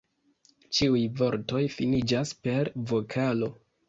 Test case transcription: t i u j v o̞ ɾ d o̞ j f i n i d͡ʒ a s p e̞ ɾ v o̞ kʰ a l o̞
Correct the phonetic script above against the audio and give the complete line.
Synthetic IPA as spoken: t͡ʃ i u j v o̞ ɾ t o̞ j f i n i d͡ʒ a s p e̞ ɾ v o̞ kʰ a l o̞